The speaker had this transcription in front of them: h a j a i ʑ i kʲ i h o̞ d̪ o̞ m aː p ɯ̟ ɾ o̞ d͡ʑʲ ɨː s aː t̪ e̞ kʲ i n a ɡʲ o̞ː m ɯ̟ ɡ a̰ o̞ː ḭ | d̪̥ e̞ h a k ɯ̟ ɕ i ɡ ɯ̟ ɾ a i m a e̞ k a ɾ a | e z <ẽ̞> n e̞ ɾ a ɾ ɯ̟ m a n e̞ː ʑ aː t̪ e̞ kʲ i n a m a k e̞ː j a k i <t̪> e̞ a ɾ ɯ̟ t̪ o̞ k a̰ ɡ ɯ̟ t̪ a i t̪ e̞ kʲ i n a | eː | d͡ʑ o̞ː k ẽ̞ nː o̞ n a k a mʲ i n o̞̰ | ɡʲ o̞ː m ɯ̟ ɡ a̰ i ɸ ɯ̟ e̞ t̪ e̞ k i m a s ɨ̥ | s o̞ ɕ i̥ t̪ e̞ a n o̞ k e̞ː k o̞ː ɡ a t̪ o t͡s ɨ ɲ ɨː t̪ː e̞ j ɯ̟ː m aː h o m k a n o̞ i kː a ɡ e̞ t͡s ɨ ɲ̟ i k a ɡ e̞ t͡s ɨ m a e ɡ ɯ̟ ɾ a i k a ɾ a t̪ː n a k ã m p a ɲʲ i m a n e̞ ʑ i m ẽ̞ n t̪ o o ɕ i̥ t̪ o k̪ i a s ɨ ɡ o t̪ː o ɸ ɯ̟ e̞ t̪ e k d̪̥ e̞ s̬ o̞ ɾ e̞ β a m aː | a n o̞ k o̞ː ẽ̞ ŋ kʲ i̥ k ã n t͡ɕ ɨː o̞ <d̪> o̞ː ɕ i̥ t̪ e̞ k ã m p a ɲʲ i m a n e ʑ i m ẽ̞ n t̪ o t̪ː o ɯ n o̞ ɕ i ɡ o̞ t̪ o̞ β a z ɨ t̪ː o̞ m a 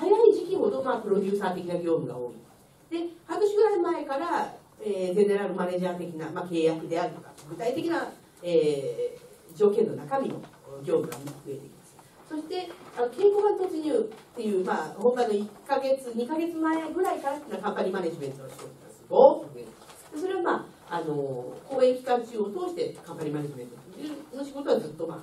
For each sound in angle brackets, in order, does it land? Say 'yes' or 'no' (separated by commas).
no, no, no